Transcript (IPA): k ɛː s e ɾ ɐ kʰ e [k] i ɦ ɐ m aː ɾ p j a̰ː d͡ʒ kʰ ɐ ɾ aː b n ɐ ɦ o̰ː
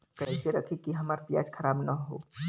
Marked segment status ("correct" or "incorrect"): correct